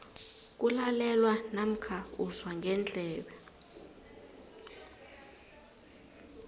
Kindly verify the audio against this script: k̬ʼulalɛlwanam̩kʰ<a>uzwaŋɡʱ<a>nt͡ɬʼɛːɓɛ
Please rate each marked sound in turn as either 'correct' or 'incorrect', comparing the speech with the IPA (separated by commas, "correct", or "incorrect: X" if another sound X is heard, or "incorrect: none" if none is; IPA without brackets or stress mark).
correct, incorrect: ɛ